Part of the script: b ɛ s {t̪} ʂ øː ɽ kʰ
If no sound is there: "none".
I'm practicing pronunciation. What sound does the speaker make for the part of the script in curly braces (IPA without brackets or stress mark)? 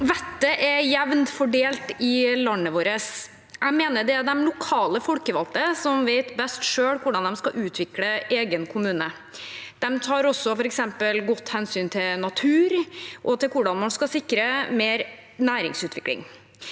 t̪